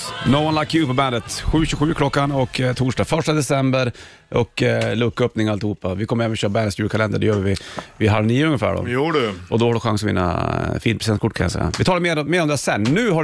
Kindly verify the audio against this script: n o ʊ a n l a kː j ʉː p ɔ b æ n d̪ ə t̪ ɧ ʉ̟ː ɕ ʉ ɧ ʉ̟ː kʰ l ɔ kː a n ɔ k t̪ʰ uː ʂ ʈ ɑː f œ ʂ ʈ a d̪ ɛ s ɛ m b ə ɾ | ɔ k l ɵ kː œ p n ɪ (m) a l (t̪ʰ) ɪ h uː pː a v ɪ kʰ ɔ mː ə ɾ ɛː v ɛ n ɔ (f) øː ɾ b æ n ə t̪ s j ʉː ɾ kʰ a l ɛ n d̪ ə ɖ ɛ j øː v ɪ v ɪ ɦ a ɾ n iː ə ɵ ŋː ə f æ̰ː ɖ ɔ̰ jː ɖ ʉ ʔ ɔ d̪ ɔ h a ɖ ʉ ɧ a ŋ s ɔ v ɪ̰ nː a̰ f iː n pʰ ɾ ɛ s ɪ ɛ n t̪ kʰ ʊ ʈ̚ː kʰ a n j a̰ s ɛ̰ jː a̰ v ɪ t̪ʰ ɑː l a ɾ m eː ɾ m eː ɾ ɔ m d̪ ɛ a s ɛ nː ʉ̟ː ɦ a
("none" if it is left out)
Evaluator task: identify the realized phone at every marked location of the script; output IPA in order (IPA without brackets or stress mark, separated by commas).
ŋ, t̪, ɕ